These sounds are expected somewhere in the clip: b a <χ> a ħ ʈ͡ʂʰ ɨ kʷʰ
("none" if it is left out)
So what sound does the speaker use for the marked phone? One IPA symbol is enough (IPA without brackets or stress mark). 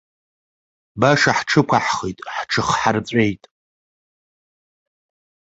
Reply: ʂ